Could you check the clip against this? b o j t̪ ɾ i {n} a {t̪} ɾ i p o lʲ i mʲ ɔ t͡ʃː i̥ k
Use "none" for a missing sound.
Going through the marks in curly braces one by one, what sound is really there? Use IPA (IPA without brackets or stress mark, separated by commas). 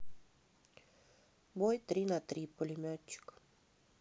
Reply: n, t̪